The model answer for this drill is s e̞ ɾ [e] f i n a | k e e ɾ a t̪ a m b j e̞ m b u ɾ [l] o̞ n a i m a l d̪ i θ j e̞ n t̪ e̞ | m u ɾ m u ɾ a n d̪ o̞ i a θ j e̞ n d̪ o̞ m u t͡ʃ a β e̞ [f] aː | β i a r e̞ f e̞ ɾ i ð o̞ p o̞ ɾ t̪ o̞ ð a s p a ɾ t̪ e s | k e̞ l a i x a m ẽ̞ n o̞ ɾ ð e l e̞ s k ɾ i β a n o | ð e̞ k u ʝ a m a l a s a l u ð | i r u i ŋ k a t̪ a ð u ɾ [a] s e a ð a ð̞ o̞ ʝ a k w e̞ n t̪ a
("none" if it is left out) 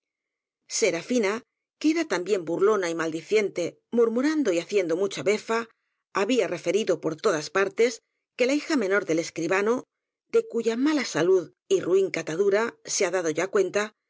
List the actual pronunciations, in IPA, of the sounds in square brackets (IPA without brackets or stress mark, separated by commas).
a, l, f, a